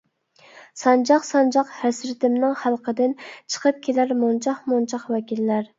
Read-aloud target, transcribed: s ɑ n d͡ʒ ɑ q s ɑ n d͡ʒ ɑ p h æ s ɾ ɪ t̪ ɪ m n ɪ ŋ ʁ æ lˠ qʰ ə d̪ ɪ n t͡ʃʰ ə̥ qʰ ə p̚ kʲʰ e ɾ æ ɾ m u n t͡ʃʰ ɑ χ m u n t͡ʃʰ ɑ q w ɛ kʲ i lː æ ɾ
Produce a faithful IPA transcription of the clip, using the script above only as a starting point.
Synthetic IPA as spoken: s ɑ n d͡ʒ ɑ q s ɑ n d͡ʒ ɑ q h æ s ɾ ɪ t̪ ɪ m n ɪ ŋ χ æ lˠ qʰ ə d̪ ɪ n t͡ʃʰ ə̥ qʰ ə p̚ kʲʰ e l æ ɾ m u n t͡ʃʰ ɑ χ m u n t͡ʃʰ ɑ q w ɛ kʲ i lː æ ɾ